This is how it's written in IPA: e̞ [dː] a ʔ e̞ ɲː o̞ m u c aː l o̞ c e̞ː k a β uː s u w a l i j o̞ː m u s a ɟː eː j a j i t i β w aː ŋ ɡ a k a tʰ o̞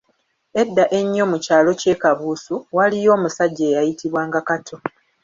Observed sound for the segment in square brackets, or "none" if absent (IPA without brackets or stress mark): dː